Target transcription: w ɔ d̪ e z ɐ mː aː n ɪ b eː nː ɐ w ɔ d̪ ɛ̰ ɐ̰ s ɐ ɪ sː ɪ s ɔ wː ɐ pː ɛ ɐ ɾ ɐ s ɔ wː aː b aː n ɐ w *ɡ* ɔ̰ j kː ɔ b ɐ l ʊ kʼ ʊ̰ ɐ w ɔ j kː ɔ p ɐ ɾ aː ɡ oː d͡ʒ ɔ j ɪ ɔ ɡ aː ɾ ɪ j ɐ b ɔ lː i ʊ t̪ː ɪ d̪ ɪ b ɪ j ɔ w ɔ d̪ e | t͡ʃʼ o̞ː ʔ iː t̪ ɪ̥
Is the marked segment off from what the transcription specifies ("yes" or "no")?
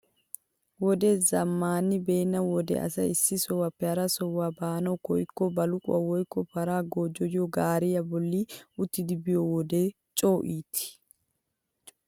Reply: yes